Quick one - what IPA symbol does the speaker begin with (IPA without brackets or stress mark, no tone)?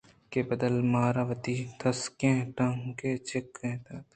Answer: k